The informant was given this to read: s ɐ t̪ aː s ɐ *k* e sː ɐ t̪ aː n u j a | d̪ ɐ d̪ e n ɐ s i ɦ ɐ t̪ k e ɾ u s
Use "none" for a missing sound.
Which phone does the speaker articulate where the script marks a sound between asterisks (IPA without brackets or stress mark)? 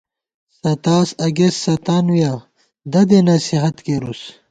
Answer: ɡ